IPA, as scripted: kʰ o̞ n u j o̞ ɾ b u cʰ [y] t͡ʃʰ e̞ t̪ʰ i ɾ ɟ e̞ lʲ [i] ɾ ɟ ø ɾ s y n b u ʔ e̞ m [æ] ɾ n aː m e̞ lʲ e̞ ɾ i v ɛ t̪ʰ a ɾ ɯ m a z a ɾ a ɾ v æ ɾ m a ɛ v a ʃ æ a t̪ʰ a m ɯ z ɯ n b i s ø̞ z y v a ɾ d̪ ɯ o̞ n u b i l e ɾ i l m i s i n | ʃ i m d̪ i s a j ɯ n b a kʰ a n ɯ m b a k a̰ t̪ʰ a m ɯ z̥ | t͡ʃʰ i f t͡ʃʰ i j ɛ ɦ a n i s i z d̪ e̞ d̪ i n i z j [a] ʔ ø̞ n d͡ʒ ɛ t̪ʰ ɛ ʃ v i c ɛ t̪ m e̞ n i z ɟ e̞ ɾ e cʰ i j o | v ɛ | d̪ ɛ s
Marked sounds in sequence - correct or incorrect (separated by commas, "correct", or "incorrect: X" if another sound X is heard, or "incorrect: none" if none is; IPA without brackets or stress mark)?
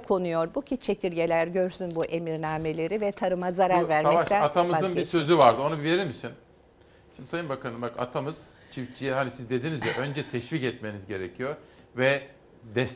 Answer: incorrect: i, incorrect: æ, incorrect: i, incorrect: ɛ